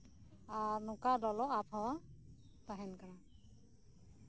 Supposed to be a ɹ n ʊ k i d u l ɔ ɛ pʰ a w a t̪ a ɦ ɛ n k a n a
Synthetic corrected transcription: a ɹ n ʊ k a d ɔ l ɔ a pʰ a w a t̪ a ɦ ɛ n k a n a